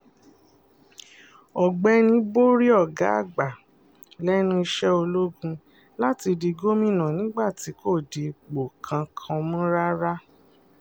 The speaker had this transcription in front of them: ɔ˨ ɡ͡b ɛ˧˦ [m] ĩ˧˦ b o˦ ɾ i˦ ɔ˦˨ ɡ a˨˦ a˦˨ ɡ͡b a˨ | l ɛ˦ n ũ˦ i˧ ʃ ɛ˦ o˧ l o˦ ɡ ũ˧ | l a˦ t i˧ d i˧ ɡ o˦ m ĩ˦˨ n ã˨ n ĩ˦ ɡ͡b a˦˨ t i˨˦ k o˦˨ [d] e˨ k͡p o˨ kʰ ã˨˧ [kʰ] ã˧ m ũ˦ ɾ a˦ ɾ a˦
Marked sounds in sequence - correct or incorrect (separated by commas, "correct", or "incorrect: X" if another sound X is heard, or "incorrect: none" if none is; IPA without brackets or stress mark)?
incorrect: n, correct, correct